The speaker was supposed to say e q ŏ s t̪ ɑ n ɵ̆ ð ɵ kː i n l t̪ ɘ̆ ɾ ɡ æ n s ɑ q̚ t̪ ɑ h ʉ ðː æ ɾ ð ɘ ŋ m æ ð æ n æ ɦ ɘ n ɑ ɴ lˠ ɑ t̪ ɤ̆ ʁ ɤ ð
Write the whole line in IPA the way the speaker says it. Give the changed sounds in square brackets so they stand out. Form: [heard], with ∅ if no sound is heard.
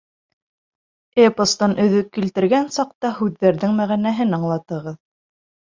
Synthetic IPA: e [p] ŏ s t̪ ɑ n ɵ̆ ð ɵ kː i [∅] l t̪ ɘ̆ ɾ ɡ æ n s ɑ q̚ t̪ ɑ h ʉ ðː æ ɾ ð ɘ ŋ m æ [ʁ] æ n æ ɦ ɘ n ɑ ɴ lˠ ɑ t̪ ɤ̆ ʁ ɤ ð